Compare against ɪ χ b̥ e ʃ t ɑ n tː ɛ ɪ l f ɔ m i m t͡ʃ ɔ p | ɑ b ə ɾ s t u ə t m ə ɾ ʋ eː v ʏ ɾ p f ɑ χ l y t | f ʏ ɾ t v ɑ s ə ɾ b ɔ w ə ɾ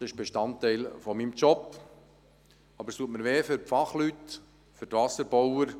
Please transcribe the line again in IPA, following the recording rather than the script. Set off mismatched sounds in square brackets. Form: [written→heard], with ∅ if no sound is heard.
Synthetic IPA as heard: ɪ [χ→ʃ] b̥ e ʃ t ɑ n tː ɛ ɪ l f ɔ m i m t͡ʃ ɔ p | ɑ b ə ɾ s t u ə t m ə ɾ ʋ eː [v→f] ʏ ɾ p f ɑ χ l y t | f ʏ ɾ t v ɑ s ə ɾ b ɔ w ə ɾ